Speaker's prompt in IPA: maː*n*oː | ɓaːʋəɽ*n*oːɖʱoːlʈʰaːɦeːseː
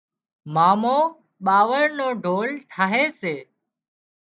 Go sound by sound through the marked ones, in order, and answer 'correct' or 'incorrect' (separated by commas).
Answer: incorrect, correct